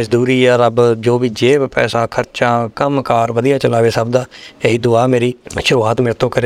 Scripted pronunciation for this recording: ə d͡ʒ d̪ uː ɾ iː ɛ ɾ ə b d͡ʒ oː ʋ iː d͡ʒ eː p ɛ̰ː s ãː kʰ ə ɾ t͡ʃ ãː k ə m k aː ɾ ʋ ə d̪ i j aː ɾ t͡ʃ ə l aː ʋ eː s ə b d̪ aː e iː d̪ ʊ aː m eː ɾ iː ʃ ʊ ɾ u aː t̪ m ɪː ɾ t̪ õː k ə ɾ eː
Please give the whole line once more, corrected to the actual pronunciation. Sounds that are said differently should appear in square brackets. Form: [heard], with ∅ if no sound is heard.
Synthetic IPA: ə d͡ʒ d̪ uː ɾ iː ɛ ɾ ə b d͡ʒ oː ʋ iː d͡ʒ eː p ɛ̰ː s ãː kʰ ə ɾ t͡ʃ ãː k ə m k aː ɾ ʋ ə d̪ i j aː [∅] t͡ʃ ə l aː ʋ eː s ə b d̪ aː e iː d̪ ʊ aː m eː ɾ iː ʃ ʊ ɾ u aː t̪ m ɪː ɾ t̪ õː k ə ɾ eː